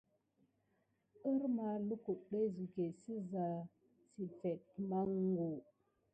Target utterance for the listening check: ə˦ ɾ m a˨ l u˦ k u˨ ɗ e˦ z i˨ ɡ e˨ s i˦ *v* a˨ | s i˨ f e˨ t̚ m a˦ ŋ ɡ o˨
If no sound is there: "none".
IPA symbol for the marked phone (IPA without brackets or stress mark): z